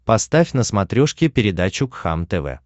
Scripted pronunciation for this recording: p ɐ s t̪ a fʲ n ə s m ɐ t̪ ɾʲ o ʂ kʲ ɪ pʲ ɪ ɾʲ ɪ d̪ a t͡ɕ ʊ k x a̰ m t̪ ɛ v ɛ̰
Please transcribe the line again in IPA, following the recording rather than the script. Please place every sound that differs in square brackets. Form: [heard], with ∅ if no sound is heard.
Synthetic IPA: p ɐ s t̪ a fʲ n ə s m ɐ t̪ ɾʲ o ʂ kʲ ɪ pʲ ɪ ɾʲ ɪ d̪ a t͡ɕ ʊ k x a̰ m t̪ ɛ v ɛ̰